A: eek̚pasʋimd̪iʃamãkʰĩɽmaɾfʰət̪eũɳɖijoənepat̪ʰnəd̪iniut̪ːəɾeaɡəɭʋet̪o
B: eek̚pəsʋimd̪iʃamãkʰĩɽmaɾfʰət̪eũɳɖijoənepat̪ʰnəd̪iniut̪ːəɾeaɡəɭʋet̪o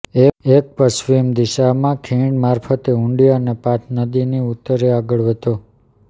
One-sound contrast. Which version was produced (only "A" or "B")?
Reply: B